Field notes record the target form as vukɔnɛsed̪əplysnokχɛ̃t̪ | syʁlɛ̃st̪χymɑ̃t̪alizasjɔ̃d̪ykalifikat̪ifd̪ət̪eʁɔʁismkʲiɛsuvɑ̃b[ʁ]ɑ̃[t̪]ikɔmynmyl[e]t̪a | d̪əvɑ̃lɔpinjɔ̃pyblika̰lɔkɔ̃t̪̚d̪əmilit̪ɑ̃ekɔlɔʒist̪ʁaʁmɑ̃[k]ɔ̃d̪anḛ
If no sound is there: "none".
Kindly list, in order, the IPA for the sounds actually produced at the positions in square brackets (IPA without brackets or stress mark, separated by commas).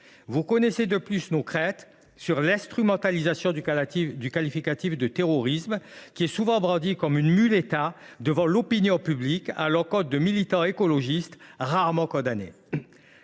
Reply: ʁ, d̪, e, k